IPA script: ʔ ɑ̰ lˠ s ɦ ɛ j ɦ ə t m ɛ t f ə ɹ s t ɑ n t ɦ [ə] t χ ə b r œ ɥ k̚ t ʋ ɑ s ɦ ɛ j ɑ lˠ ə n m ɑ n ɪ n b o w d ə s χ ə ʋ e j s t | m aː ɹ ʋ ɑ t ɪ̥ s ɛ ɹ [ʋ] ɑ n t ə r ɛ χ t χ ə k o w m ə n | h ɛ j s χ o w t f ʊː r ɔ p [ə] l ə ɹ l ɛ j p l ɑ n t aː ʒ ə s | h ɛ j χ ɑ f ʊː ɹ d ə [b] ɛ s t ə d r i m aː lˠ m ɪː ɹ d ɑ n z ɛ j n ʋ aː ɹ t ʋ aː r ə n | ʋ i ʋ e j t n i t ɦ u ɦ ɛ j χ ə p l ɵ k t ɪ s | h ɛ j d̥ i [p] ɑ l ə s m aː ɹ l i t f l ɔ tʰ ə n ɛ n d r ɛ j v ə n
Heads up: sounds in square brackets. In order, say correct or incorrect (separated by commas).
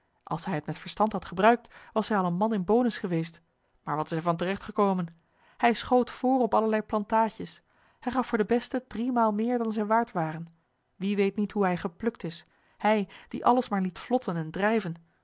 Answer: incorrect, incorrect, incorrect, correct, incorrect